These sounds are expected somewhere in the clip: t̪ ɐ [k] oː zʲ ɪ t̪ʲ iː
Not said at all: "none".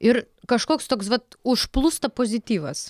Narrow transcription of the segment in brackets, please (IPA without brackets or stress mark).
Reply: p